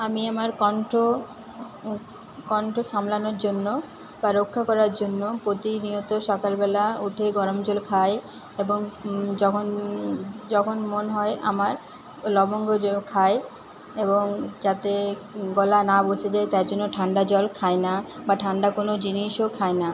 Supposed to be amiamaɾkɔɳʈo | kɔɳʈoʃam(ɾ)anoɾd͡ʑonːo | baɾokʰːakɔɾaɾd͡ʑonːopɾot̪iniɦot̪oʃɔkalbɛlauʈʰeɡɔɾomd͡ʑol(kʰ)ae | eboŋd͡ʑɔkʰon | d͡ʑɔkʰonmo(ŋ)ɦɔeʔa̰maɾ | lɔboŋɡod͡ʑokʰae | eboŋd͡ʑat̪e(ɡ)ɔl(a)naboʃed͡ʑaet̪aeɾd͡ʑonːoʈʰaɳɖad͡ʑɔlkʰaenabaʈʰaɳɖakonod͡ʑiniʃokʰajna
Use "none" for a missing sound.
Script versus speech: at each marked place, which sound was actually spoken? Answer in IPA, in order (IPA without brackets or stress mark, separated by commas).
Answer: l, kʰ, n, ɡ, a